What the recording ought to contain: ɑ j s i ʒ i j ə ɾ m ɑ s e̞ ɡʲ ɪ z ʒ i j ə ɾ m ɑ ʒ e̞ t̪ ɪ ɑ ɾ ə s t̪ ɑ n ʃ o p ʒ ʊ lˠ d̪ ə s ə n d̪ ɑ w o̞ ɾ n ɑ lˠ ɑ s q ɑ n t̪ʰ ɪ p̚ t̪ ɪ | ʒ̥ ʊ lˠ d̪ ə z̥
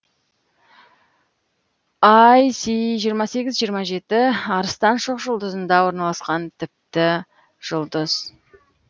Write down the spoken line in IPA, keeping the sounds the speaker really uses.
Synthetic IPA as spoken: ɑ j s i ʒ i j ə ɾ m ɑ s e̞ ɡʲ ɪ z ʒ i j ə ɾ m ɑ ʒ e̞ t̪ ɪ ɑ ɾ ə s t̪ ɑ n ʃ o q ʒ ʊ lˠ d̪ ə z ə n d̪ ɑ w o̞ ɾ n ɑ lˠ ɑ s q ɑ n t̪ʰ ɪ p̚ t̪ ɪ | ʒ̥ ʊ lˠ d̪ ə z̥

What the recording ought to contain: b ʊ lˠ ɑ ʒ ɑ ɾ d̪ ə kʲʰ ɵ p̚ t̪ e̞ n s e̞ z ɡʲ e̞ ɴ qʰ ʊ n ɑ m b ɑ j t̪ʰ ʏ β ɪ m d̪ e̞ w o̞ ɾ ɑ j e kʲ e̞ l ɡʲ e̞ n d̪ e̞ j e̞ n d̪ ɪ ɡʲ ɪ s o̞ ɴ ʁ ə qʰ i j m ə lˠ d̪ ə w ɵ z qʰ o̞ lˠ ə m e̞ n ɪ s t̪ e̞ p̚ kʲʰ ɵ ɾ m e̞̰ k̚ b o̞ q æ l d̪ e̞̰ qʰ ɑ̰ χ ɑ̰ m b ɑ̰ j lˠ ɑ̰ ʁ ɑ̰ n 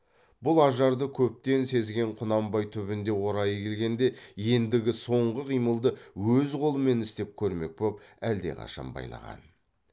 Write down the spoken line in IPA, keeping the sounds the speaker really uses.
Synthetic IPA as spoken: b ʊ lˠ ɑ ʒ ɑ ɾ d̪ ə kʲʰ ɵ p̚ t̪ e̞ n s e̞ z ɡʲ e̞ ɴ qʰ ʊ n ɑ m b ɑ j t̪ʰ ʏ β ɪ n d̪ e̞ w o̞ ɾ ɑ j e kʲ e̞ l ɡʲ e̞ n d̪ e̞ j e̞ n d̪ ɪ ɡʲ ɪ s o̞ ɴ ʁ ə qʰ i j m ə lˠ d̪ ə w ɵ z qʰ o̞ lˠ ə m e̞ n ɪ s t̪ e̞ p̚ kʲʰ ɵ ɾ m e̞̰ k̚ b o̞ p æ l d̪ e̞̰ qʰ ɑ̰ ʃ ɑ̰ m b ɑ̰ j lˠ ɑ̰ ʁ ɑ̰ n

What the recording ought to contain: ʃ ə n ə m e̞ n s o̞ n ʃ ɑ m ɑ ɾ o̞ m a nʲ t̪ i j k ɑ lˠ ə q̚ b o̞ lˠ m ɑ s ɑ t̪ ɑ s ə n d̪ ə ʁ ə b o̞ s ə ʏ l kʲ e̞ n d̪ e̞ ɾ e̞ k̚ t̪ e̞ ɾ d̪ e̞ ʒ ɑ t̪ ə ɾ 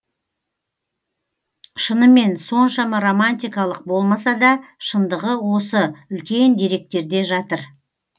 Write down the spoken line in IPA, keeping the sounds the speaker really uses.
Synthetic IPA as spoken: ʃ ə n ə m e̞ n s o̞ n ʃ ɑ m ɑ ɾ o̞ m a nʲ t̪ i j k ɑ lˠ ə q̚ b o̞ lˠ m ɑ s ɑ d̪ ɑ ʃ ə n d̪ ə ʁ ə w o̞ s ə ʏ l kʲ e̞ n d̪ e̞ ɾ e̞ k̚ t̪ e̞ ɾ d̪ e̞ ʒ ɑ t̪ ə ɾ

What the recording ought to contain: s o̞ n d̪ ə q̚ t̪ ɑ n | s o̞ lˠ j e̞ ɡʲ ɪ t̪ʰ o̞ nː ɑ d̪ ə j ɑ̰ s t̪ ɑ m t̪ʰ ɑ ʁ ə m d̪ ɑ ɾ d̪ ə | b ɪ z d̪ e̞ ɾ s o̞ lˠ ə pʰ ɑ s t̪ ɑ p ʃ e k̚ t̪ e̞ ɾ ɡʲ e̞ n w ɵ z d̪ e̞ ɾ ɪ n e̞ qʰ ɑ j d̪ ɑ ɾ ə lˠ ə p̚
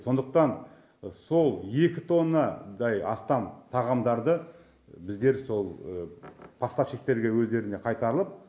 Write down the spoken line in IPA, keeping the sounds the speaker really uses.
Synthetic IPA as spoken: s o̞ n d̪ ə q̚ t̪ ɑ n | s o̞ lˠ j e̞ kʲ ɪ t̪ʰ o̞ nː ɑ d̪ ɑ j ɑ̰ s t̪ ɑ m t̪ʰ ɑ ʁ ɑ m d̪ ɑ ɾ d̪ ə | b ɪ z d̪ e̞ ɾ s o̞ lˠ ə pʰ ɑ s t̪ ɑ p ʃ e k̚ t̪ e̞ ɾ ɡʲ e̞ w ɵ z d̪ e̞ ɾ ɪ n e̞ qʰ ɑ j t̪ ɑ ɾ ə lˠ ə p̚

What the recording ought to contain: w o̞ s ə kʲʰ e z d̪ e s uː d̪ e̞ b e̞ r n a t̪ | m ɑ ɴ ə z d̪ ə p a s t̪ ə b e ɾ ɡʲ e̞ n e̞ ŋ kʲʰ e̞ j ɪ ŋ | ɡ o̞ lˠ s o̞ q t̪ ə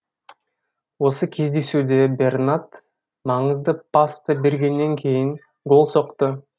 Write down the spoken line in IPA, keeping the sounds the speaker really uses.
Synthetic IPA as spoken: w o̞ s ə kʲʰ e z d̪ e s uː d̪ e̞ b e̞ r n a t̪ | m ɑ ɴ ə z d̪ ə p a s t̪ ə b e ɾ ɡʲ e̞ nː e̞ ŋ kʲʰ e̞ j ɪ ŋ | ɡ o̞ lˠ s o̞ q t̪ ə

